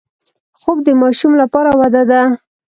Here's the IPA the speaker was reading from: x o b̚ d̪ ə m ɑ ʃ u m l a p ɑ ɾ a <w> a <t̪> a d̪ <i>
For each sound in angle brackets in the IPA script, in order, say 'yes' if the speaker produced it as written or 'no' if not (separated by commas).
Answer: yes, no, no